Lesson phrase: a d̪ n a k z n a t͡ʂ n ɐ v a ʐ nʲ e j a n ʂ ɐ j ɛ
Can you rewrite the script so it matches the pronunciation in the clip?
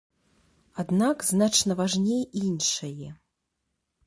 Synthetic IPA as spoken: a d̪ n a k z n a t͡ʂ n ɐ v a ʐ nʲ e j i n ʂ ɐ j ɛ